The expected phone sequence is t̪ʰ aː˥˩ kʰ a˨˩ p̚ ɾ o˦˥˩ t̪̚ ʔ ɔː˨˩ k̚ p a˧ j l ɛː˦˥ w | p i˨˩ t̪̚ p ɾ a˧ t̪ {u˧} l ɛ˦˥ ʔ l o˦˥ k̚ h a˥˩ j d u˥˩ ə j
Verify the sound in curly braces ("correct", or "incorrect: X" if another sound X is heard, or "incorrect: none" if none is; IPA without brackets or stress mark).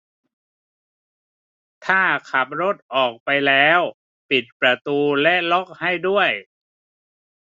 incorrect: uː˧